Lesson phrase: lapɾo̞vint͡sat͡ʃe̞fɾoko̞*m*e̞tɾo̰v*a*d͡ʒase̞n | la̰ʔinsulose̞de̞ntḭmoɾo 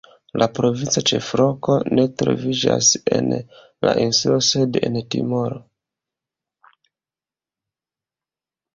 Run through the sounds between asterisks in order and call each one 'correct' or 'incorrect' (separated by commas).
incorrect, incorrect